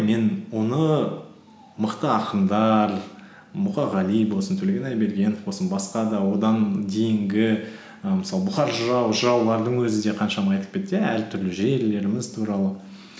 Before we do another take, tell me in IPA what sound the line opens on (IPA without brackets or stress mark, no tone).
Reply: m